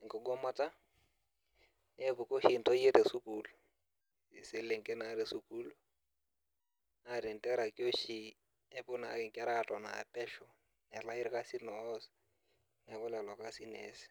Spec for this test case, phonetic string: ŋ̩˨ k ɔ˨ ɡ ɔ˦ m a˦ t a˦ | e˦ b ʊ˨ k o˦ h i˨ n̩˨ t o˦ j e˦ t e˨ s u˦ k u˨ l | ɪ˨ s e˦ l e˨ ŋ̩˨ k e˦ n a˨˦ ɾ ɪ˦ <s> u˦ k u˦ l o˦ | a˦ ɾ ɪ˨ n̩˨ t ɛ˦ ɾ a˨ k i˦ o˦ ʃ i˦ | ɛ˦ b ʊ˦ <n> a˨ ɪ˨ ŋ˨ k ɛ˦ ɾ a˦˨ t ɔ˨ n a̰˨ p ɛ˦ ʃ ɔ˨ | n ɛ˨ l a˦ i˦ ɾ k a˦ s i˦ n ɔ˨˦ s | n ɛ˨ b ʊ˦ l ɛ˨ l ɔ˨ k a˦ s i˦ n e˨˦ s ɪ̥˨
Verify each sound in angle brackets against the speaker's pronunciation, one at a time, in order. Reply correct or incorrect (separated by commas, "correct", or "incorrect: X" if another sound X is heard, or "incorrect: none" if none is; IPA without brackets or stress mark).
correct, correct